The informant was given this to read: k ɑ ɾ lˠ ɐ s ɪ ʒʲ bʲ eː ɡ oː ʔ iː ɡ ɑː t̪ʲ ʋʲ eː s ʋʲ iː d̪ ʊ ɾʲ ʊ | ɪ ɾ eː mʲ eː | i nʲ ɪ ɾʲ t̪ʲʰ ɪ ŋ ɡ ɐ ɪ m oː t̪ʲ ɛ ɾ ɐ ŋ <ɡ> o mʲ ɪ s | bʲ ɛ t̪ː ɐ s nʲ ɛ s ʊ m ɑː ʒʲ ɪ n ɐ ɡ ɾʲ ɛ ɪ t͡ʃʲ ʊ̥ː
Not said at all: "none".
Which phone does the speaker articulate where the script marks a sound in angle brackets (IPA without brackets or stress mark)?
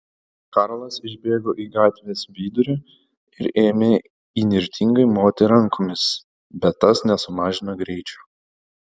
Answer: k